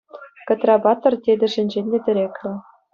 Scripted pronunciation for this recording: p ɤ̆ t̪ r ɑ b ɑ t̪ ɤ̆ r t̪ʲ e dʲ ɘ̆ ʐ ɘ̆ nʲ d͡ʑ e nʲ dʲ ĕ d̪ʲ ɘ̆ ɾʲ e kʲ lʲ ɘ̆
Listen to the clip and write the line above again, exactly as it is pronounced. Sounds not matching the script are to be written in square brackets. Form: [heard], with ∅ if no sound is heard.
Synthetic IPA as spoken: [k] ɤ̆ t̪ r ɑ b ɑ t̪ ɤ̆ r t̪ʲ e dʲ ɘ̆ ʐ ɘ̆ nʲ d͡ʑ e nʲ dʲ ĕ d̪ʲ ɘ̆ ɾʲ e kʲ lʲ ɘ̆